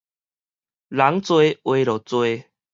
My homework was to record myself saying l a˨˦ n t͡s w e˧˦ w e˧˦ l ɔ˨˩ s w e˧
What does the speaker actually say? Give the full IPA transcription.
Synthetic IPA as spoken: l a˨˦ ŋ t͡s w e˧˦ w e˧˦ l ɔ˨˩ t͡s w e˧